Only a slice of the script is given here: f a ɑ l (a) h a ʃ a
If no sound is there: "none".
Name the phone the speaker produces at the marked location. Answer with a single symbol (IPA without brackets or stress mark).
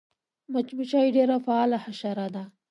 a